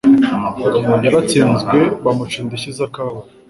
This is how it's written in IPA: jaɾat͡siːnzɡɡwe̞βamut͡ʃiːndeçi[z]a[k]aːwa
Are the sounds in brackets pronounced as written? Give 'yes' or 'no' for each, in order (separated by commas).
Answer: yes, yes